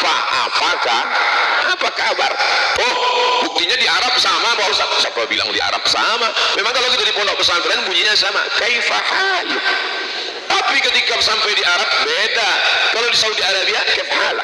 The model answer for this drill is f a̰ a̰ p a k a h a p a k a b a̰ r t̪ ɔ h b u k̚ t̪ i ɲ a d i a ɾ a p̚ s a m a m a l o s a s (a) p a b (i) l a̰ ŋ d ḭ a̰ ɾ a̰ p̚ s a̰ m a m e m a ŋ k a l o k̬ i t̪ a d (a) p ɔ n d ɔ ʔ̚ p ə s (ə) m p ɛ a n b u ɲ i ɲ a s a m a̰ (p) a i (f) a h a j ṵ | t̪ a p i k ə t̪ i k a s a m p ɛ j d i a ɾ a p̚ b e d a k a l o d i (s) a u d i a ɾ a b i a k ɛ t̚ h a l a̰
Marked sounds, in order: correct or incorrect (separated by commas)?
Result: correct, correct, incorrect, incorrect, incorrect, correct, correct